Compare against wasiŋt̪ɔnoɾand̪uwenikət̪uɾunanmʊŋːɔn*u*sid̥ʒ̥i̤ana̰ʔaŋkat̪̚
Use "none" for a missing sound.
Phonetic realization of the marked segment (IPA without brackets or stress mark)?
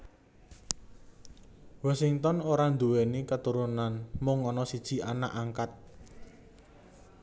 ɔ